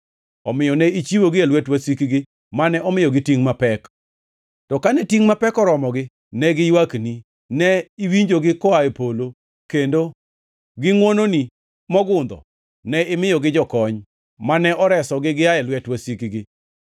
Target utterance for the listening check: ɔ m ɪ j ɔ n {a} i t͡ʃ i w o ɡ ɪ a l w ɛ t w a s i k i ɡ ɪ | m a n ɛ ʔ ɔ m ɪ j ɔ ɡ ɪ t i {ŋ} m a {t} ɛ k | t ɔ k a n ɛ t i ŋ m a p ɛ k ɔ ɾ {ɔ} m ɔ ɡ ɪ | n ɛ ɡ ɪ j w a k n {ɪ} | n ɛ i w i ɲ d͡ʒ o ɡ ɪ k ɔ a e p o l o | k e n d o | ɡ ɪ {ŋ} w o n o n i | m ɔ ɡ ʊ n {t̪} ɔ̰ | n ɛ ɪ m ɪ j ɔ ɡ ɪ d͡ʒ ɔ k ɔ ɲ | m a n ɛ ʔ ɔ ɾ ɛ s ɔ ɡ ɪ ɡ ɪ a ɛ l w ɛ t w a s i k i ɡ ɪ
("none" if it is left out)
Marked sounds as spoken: ɛ, ŋ, p, ɔ, i, ŋ, d̪

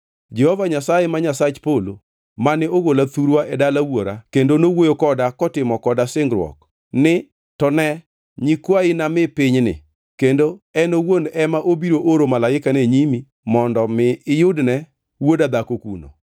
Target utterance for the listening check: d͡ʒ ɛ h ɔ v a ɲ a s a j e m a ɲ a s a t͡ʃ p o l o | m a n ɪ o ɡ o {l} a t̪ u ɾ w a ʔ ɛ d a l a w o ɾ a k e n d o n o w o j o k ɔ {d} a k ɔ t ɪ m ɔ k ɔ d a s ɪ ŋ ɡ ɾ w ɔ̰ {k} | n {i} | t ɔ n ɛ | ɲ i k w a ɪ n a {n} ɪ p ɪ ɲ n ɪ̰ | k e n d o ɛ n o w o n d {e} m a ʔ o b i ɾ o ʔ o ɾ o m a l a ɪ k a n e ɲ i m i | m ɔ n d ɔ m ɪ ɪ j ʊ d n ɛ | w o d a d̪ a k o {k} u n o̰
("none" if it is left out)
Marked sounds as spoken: l, d, k, ɪ, m, ɛ, k

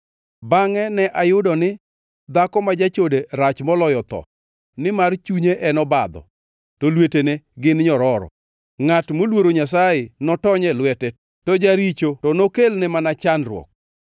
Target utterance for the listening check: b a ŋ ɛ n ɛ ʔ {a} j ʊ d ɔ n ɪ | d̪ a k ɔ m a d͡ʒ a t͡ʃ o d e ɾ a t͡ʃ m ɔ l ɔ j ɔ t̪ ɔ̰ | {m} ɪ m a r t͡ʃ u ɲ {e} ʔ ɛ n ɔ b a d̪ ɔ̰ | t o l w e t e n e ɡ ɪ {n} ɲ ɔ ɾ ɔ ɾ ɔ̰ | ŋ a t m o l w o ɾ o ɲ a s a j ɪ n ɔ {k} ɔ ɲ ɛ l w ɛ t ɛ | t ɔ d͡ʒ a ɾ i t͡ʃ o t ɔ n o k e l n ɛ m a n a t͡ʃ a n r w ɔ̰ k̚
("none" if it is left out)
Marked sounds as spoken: a, n, e, n, t

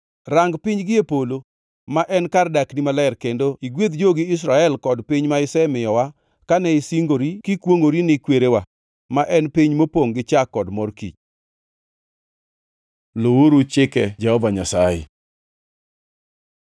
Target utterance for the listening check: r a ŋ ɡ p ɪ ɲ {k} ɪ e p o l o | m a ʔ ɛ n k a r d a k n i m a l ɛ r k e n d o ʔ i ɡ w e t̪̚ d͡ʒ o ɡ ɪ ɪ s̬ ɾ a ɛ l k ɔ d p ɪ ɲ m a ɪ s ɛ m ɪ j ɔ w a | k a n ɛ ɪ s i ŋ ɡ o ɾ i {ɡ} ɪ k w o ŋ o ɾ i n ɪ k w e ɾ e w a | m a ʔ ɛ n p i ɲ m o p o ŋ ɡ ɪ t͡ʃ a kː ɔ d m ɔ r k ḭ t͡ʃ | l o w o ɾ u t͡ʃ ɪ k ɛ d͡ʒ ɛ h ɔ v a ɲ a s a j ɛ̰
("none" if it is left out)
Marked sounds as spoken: ɡ, k

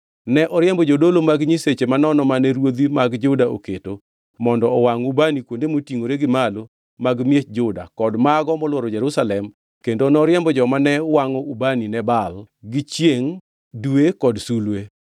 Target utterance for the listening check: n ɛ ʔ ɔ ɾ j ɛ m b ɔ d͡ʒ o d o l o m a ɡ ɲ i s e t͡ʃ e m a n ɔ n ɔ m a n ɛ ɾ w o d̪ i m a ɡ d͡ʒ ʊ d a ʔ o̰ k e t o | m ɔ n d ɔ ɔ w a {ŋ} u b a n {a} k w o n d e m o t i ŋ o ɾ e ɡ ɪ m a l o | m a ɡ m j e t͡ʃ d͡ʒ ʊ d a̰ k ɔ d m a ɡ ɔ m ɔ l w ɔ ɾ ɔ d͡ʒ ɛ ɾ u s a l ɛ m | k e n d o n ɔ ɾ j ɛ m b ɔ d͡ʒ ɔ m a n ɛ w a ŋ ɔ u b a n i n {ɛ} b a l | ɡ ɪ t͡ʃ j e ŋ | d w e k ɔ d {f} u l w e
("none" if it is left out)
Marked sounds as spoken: ŋ, i, ɛ, s

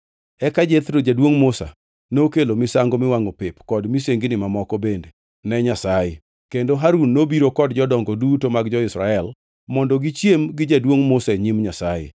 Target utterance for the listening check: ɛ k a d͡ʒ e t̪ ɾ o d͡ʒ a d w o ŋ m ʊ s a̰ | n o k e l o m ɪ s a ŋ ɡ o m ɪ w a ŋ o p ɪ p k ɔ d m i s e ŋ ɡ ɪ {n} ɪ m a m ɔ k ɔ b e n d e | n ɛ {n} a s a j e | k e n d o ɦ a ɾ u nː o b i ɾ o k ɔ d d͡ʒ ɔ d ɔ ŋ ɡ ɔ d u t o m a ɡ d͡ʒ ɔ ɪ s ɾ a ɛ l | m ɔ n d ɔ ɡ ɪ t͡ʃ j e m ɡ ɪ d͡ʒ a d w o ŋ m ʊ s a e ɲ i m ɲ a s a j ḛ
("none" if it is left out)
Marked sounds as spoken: n, ɲ

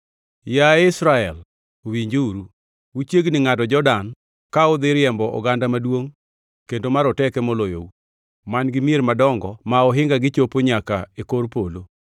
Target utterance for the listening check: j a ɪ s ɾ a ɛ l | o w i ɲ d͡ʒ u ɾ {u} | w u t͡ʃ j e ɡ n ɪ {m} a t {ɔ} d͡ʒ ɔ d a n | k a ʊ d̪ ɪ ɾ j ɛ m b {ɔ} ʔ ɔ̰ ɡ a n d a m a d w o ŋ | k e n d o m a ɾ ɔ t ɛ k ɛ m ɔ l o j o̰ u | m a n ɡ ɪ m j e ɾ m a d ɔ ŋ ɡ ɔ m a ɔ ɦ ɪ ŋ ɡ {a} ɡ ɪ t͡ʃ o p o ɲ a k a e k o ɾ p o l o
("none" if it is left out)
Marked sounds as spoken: u, ŋ, ɔ, ɔ, a

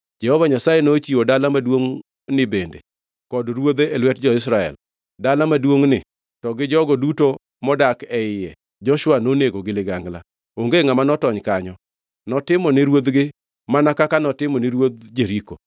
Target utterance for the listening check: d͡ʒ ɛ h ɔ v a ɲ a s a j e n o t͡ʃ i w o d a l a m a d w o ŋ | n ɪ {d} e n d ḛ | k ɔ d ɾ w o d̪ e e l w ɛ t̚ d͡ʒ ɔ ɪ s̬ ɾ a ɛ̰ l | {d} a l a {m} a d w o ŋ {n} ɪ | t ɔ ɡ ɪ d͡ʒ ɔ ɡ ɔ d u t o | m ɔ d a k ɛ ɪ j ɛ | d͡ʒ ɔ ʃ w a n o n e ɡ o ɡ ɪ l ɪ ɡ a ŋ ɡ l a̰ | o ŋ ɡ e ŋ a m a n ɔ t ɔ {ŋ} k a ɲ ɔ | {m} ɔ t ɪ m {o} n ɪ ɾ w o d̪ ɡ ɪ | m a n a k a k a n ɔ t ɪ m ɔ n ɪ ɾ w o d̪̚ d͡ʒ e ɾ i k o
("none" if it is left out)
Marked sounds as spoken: b, d, m, n, ɲ, n, ɔ

